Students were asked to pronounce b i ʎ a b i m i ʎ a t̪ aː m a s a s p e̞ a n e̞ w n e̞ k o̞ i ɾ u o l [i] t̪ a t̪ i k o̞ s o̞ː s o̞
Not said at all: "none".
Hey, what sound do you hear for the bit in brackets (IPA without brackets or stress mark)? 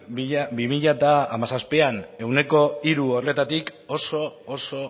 e